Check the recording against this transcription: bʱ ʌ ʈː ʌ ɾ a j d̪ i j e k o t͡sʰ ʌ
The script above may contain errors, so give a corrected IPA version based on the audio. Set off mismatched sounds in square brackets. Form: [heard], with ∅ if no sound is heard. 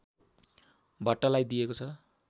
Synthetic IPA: bʱ ʌ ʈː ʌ [l] a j d̪ i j e k o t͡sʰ ʌ